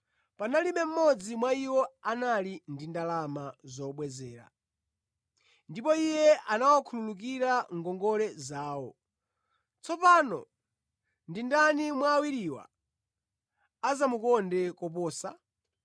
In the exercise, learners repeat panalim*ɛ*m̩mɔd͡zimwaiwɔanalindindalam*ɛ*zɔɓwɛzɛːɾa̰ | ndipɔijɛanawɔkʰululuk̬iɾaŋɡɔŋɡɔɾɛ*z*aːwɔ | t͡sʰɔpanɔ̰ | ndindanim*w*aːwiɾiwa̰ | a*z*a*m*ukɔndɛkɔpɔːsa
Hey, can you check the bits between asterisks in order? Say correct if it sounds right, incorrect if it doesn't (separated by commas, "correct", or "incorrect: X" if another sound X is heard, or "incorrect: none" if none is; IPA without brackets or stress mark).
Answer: correct, incorrect: a, correct, correct, correct, correct